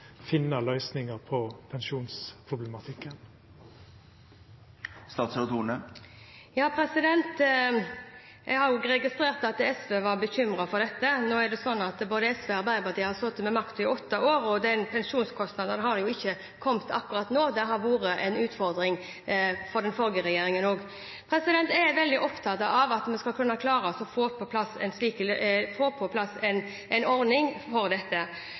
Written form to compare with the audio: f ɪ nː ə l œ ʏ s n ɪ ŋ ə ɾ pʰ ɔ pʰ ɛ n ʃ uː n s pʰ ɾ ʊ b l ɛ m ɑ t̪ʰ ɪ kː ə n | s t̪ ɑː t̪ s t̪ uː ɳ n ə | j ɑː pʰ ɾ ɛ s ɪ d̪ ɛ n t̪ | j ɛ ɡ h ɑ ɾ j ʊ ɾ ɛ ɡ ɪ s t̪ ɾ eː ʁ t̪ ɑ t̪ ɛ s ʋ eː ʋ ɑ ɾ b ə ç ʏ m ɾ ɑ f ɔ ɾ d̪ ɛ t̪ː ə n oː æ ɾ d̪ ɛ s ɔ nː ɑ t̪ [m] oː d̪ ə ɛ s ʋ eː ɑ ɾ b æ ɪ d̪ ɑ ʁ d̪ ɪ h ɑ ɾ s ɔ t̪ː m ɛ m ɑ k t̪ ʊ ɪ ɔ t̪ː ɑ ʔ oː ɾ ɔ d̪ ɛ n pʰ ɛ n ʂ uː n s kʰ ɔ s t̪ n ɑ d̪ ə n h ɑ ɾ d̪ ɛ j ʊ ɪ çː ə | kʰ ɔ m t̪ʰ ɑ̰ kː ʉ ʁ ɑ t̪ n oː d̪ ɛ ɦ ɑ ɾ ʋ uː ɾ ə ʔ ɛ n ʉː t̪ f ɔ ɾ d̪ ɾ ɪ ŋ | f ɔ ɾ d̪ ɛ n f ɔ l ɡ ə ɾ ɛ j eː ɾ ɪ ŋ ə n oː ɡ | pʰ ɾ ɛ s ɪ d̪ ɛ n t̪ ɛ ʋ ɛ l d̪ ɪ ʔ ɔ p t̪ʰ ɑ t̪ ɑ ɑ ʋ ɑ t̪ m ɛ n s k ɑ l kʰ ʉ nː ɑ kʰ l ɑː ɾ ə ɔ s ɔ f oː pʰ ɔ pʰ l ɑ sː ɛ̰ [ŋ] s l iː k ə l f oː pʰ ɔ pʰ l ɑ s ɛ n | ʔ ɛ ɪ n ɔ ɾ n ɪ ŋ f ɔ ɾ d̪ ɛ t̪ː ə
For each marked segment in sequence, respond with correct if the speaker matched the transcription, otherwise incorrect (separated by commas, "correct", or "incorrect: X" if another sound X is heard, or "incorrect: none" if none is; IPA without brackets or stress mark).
incorrect: b, incorrect: n